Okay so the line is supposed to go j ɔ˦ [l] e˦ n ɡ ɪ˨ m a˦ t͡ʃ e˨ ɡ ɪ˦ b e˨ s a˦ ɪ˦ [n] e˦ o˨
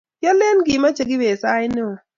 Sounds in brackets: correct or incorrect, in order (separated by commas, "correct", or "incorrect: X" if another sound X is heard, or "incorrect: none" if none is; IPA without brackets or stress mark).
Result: correct, correct